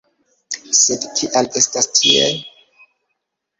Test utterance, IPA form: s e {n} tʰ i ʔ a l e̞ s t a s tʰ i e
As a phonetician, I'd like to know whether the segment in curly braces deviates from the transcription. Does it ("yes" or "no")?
yes